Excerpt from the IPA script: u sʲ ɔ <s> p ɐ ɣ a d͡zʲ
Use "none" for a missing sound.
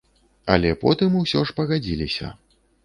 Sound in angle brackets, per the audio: ʂ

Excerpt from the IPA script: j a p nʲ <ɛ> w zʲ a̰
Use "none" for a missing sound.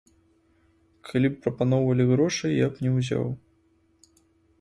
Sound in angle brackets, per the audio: ɛ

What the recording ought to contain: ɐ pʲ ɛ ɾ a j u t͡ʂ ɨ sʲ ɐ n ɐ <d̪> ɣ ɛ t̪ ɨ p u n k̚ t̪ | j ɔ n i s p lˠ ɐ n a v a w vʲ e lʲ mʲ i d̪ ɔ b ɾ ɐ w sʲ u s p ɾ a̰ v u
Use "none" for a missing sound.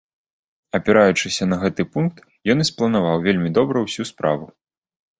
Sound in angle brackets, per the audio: none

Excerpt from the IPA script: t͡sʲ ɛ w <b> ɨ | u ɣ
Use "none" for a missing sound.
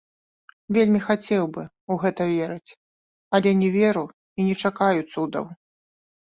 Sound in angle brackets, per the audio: b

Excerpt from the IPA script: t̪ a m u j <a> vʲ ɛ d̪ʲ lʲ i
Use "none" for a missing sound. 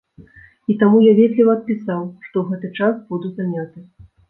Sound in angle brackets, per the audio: a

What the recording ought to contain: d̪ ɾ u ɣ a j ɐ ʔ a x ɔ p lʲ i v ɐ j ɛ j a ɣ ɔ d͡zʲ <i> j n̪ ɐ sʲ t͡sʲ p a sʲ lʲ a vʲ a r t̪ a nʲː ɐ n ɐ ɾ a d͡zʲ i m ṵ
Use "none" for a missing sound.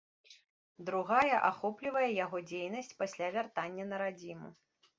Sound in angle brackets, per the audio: e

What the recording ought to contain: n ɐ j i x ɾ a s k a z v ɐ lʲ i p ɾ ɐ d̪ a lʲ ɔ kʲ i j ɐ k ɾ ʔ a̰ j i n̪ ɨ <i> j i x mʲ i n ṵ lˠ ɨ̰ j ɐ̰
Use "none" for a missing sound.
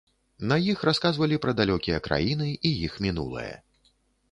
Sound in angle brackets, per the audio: i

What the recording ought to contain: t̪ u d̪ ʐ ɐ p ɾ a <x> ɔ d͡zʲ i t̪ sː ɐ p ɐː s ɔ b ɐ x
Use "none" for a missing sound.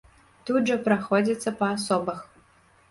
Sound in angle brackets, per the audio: x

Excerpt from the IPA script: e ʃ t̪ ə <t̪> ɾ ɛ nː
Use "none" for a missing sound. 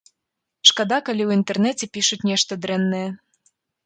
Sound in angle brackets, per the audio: d̪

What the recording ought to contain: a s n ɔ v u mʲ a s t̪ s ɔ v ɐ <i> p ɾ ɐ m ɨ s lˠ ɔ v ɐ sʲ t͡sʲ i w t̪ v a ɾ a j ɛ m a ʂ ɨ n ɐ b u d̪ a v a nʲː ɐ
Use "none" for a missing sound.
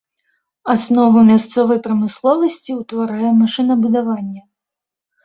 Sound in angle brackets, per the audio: j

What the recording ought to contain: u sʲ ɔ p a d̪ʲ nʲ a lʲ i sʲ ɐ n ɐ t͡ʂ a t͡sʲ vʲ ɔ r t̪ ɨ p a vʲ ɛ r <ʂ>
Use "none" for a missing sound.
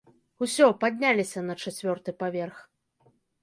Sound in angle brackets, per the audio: x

